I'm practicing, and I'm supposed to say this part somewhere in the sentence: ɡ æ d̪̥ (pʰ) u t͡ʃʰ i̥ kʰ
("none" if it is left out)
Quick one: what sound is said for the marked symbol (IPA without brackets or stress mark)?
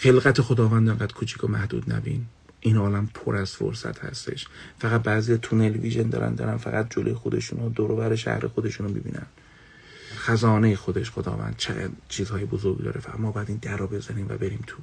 kʰ